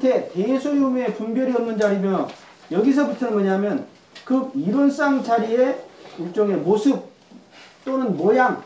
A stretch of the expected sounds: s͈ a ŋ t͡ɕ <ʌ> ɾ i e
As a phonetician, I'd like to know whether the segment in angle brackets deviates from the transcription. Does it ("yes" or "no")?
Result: yes